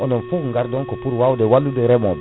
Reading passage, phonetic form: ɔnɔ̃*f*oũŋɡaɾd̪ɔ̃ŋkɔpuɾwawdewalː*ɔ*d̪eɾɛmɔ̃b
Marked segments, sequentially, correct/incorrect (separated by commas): correct, incorrect